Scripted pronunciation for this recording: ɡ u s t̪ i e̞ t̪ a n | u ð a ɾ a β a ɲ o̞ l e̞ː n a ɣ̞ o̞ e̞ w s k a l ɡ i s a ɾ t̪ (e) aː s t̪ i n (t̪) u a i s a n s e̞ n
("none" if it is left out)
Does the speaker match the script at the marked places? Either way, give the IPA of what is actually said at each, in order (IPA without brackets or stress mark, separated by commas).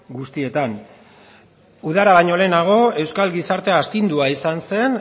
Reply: e, d̪